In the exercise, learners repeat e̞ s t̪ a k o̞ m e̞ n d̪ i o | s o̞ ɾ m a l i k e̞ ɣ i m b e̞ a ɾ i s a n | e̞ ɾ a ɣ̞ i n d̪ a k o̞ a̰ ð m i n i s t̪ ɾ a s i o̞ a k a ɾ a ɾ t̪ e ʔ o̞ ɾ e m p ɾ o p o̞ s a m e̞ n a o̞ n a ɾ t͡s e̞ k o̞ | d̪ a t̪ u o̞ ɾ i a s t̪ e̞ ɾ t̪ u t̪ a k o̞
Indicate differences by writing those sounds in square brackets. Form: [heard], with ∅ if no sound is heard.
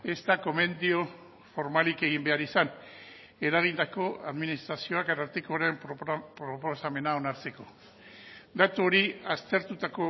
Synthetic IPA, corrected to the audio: e̞ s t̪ a k o̞ m e̞ n d̪ i o | [f] o̞ ɾ m a l i k e̞ ɣ i m b e̞ a ɾ i s a n | e̞ ɾ a ɣ̞ i n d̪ a k o̞ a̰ ð m i n i s t̪ ɾ a s i o̞ a k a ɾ a ɾ t̪ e [k] o̞ ɾ e m p ɾ o p o̞ s a m e̞ n a o̞ n a ɾ t͡s e̞ k o̞ | d̪ a t̪ u o̞ ɾ i a s t̪ e̞ ɾ t̪ u t̪ a k o̞